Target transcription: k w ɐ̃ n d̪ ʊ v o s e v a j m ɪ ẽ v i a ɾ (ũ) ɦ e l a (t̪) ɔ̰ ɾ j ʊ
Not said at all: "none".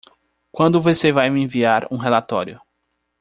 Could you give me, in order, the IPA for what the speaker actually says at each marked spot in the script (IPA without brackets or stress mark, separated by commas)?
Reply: ũ, t̪